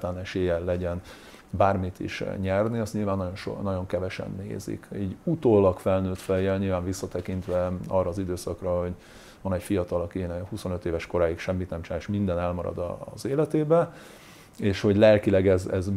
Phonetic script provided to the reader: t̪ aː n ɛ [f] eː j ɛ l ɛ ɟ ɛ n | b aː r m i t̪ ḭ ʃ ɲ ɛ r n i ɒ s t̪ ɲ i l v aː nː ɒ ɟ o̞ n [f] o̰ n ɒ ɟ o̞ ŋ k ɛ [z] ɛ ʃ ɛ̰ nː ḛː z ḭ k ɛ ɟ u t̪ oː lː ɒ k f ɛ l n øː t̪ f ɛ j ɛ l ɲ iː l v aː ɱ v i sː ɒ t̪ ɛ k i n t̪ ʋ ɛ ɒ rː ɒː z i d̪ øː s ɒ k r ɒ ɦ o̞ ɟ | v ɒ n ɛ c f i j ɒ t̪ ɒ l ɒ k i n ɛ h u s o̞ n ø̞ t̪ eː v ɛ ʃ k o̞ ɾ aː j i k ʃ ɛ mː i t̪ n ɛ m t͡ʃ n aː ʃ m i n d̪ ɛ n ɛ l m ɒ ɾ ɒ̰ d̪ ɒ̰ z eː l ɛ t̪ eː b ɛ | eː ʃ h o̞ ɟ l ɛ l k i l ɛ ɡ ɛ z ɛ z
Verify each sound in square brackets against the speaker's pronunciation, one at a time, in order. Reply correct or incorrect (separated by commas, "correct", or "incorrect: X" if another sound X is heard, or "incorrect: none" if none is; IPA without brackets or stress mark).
incorrect: ʃ, incorrect: ʃ, incorrect: v